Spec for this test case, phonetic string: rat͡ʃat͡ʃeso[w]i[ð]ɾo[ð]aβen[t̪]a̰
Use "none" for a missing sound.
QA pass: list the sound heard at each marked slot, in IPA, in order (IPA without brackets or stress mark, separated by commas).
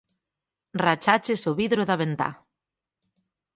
β, ð, ð, t̪